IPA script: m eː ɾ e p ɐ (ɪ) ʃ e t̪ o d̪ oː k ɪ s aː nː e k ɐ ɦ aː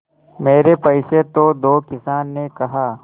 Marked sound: correct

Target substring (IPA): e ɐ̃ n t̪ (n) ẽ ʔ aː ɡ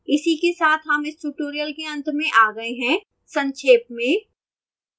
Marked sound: incorrect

